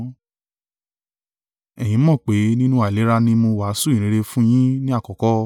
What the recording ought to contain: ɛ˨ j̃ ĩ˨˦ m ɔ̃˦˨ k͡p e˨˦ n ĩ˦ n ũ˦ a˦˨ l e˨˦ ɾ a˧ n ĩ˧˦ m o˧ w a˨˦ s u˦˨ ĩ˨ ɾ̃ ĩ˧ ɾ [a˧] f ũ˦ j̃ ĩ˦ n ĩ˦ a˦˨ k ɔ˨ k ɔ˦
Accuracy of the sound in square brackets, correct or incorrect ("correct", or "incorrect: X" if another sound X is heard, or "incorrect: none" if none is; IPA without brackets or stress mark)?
incorrect: e˧